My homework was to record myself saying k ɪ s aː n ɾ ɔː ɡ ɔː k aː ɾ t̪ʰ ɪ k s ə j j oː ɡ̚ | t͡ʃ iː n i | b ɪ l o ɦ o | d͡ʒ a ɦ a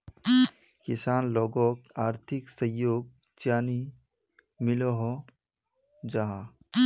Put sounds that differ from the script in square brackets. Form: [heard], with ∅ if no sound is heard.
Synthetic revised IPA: k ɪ s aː n [l] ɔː ɡ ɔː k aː ɾ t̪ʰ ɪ k s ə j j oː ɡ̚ | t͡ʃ [aː] n i | [m] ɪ l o ɦ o | d͡ʒ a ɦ a